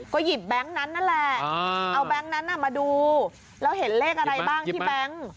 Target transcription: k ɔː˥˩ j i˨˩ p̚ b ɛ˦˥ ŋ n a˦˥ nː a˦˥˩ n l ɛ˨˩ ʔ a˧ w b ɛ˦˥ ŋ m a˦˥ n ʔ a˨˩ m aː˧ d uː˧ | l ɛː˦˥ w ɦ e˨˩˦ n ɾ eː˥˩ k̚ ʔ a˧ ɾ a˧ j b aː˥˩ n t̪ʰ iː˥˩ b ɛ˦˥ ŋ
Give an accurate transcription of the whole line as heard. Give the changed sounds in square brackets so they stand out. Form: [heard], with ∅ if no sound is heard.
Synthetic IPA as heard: k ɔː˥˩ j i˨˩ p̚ b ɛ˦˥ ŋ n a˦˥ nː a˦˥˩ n l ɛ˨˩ ʔ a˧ w b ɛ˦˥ ŋ [n] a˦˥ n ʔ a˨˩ m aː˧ d uː˧ | l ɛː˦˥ w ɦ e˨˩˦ n [l] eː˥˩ k̚ ʔ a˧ ɾ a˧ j b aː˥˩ [ŋ] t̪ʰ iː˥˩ b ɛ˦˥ ŋ